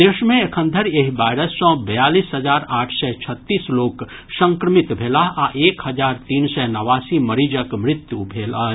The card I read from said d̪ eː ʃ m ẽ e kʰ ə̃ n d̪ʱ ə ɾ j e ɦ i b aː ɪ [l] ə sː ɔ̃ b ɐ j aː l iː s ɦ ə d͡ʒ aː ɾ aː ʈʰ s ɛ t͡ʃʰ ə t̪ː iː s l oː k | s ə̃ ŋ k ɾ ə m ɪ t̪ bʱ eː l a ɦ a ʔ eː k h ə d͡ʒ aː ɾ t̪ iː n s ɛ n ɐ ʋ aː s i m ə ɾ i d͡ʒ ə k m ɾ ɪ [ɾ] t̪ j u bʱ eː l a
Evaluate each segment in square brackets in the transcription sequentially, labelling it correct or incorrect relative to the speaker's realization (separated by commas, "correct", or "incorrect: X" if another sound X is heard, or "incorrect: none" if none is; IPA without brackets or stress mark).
incorrect: ɾ, incorrect: none